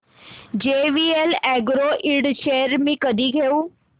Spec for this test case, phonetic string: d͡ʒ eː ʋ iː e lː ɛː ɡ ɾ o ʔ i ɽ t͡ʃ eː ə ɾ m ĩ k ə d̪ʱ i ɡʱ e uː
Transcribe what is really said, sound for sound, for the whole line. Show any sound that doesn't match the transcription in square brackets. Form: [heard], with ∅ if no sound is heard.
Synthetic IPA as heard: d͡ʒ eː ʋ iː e [l] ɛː ɡ ɾ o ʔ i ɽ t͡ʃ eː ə ɾ m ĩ k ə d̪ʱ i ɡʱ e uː

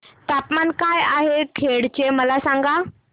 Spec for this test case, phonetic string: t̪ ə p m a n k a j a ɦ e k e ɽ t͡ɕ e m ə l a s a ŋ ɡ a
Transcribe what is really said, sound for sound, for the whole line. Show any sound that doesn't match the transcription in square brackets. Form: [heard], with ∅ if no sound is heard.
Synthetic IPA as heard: t̪ [a] p m a n k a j a ɦ e [kʰ] e ɽ t͡ɕ e m ə l a s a ŋ ɡ a

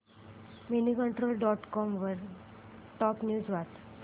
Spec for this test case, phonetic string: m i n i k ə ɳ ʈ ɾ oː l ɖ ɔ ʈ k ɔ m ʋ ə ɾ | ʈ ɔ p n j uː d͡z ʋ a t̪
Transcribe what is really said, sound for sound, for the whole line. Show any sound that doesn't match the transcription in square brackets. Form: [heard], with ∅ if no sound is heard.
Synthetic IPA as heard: m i n i k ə ɳ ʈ ɾ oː l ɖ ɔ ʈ k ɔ m ʋ ə ɾ | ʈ ɔ p n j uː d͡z ʋ a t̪

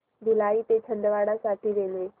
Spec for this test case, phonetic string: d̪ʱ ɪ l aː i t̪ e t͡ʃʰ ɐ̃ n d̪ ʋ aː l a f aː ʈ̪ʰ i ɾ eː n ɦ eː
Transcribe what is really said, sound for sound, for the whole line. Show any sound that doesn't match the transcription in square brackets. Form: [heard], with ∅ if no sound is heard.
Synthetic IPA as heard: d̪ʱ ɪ l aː i t̪ e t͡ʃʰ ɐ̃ n d̪ ʋ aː [ɽ] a [s] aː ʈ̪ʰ i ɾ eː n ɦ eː

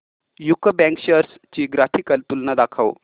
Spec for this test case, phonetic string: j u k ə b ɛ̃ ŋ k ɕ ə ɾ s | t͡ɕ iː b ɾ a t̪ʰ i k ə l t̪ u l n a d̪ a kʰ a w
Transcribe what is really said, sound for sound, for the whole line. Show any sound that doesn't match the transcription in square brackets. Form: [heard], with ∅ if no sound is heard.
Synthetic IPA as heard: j u k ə b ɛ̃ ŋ k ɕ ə ɾ s | t͡ɕ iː [ɡ] ɾ a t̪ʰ i k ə l t̪ u l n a d̪ a kʰ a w

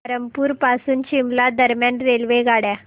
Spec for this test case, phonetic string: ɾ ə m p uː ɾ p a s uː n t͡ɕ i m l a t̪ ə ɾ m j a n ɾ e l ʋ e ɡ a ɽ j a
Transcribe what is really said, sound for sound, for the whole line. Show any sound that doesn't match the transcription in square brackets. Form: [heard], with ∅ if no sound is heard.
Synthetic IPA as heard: ɾ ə m p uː ɾ p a s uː n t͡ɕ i m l a [d̪] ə ɾ m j a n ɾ e l ʋ e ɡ a ɽ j a

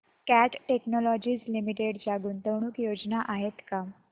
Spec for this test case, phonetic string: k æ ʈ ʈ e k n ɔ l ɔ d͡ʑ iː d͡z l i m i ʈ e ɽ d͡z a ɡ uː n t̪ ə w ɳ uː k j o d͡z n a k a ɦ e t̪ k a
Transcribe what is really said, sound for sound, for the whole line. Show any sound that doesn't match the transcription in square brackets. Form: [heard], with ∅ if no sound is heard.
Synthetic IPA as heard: k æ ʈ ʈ e k n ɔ l ɔ d͡ʑ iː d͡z l i m i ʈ e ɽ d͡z a ɡ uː n t̪ ə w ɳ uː k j o d͡z n a [ʔ] a ɦ e t̪ k a

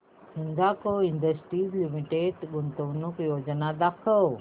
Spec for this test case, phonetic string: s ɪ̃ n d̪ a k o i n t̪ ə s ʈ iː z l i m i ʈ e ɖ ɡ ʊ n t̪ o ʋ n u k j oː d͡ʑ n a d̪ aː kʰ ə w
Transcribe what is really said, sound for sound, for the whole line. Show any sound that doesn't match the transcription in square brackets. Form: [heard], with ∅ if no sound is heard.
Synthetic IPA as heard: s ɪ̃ n d̪ a k o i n [d̪] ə s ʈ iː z l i m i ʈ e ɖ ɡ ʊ n t̪ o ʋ n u k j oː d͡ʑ n a d̪ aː kʰ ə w

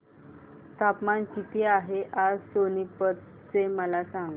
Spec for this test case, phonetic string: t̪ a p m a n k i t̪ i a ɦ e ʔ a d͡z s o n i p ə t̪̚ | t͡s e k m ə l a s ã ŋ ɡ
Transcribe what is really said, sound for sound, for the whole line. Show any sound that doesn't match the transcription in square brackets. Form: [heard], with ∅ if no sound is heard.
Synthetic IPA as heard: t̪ a p m a n k i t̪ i a ɦ e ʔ a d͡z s o n i p ə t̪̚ | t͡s e [∅] m ə l a s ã ŋ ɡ

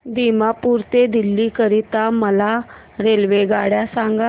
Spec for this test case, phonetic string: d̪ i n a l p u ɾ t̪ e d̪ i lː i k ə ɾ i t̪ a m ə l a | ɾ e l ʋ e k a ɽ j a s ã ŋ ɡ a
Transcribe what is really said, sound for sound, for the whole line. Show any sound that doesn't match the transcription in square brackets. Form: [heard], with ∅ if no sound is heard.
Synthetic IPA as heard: d̪ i [m] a [∅] p u ɾ t̪ e d̪ i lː i k ə ɾ i t̪ a m ə l a | ɾ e l ʋ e [ɡ] a ɽ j a s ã ŋ ɡ a

